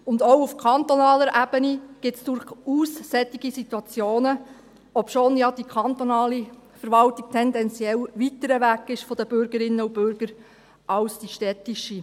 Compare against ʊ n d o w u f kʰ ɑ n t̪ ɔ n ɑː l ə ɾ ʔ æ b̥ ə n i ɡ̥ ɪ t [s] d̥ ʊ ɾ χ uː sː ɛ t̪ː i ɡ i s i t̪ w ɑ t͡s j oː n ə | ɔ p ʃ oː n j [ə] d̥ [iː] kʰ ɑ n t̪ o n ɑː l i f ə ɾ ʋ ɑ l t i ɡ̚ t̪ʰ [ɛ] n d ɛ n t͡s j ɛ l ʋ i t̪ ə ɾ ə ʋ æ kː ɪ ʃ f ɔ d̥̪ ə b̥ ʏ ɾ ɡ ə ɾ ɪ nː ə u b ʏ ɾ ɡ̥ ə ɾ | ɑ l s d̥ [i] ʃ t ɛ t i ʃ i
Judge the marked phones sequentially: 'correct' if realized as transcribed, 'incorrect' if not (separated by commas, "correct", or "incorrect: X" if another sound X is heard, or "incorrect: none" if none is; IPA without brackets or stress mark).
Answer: correct, incorrect: ɑ, incorrect: i, correct, correct